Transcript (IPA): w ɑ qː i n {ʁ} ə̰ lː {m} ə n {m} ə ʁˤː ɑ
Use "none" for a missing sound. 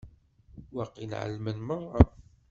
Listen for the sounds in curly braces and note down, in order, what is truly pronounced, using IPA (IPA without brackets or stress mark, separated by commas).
ʕ, m, m